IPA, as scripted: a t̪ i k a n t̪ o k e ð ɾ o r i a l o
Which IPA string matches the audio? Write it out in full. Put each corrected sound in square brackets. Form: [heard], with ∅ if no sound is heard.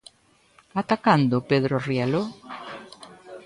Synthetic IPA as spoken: a t̪ [a] k a n [d̪] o [p] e ð ɾ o r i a l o